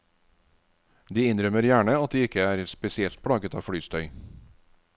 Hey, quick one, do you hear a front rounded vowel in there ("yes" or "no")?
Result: yes